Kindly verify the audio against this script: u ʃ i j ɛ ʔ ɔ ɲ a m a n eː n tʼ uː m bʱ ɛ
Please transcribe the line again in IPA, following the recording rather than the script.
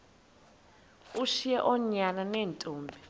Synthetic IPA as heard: u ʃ i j ɛ ʔ ɔ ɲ a n a n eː n tʼ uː m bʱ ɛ